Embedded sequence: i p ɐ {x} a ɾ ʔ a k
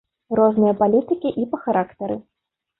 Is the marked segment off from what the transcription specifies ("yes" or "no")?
no